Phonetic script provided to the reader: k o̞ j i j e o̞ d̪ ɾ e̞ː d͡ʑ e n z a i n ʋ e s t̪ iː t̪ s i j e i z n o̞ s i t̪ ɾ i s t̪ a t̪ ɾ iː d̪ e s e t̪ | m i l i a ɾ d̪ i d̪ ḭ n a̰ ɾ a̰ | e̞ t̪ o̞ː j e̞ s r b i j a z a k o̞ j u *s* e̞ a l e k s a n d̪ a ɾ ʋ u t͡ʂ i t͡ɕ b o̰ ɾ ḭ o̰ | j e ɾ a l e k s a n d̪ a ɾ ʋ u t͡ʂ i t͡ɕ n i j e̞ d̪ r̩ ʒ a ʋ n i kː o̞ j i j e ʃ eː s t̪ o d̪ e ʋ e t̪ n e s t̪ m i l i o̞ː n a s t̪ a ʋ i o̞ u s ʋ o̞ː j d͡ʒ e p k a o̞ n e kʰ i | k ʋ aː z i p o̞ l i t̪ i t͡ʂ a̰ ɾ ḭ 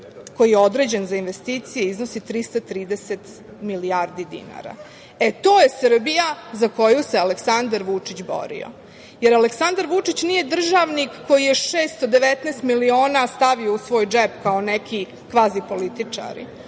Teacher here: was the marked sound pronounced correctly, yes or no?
yes